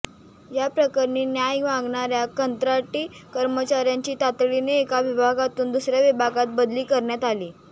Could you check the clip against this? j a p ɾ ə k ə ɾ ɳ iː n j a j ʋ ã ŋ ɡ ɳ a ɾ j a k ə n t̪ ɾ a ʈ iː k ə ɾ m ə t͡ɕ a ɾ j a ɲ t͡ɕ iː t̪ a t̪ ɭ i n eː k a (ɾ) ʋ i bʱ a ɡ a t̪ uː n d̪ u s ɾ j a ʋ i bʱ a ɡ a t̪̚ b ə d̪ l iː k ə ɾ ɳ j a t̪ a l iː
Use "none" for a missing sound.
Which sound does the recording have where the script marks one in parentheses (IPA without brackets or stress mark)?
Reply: none